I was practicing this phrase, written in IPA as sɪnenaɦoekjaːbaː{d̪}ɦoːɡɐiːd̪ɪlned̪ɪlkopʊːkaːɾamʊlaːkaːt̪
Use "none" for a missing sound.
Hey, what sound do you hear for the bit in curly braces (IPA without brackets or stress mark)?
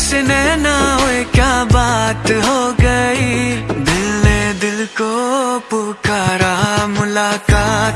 t̪